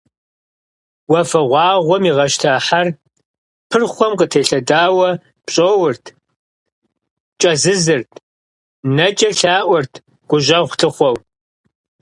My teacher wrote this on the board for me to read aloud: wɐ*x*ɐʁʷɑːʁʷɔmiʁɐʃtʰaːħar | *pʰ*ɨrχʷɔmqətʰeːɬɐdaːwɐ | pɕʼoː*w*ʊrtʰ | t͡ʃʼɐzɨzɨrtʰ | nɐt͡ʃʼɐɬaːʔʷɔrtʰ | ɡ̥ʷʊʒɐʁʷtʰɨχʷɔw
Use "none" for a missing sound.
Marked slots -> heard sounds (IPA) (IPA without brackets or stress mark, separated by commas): f, pʰ, w